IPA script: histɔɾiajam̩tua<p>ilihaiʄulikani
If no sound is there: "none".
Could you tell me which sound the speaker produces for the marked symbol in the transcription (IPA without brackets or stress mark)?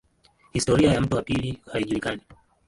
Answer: p